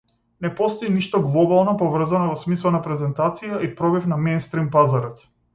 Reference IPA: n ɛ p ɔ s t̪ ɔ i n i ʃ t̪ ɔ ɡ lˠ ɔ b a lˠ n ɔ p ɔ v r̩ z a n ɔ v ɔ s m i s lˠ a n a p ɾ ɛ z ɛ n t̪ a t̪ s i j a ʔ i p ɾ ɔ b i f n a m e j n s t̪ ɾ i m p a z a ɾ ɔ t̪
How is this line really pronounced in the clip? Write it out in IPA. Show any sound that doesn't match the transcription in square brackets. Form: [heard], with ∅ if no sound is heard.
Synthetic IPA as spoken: n ɛ p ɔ s t̪ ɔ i n i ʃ t̪ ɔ ɡ lˠ ɔ b a lˠ n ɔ p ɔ v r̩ z a n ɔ v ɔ s m i s lˠ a n a p ɾ ɛ z ɛ n t̪ a t̪ s i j a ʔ i p ɾ ɔ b i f n a m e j n s t̪ ɾ i m p a z a ɾ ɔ t̪